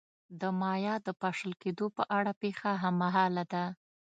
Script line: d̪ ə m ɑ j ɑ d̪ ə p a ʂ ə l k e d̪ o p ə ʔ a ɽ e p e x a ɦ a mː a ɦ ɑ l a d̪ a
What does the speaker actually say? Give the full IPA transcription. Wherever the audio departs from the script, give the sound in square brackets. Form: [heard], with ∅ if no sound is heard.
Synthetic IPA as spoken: d̪ ə m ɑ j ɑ d̪ ə p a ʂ ə l k e d̪ o p ə ʔ a ɽ [a] p e x a ɦ a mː a ɦ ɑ l a d̪ a